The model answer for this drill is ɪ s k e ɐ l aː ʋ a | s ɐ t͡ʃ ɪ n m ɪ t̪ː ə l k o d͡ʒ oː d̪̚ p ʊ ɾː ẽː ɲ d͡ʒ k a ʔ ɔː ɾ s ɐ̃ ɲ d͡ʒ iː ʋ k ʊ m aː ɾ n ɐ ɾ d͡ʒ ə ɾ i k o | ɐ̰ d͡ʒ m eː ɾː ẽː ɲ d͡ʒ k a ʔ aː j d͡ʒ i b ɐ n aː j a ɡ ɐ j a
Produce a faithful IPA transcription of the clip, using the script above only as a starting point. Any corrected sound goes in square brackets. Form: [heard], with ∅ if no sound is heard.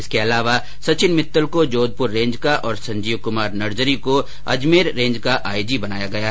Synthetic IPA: ɪ s k e ɐ l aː ʋ a | s ɐ t͡ʃ ɪ n m ɪ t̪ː ə l k o d͡ʒ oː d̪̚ p ʊ ɾː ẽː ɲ d͡ʒ k a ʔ ɔː ɾ s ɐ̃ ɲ d͡ʒ iː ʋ k ʊ m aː ɾ n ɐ ɾ d͡ʒ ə ɾ i k o | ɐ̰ d͡ʒ m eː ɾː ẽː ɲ d͡ʒ k a ʔ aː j d͡ʒ i b ɐ n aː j a ɡ ɐ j a